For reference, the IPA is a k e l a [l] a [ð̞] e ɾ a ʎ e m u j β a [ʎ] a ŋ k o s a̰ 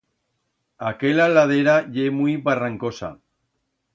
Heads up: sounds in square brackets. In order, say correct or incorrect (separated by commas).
correct, correct, incorrect